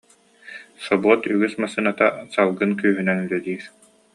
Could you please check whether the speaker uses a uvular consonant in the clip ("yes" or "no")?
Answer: no